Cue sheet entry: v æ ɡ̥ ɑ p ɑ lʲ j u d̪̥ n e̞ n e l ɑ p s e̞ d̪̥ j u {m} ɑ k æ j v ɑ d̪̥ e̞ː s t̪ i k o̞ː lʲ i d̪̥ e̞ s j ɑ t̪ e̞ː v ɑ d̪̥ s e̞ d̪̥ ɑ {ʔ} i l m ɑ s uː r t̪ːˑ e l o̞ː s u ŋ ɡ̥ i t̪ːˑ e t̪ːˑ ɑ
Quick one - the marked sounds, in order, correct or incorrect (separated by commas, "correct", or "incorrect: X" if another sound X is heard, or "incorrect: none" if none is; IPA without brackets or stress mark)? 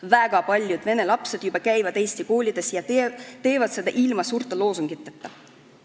incorrect: b, correct